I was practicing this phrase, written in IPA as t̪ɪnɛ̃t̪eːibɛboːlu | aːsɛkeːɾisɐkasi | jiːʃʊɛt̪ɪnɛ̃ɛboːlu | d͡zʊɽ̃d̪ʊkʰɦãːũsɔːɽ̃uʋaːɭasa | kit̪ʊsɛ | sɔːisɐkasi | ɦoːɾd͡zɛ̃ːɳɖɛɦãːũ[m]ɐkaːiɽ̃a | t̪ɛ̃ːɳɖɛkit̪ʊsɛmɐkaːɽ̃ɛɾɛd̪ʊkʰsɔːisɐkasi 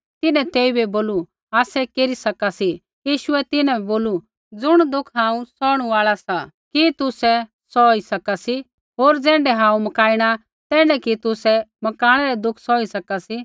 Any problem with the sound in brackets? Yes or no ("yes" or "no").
no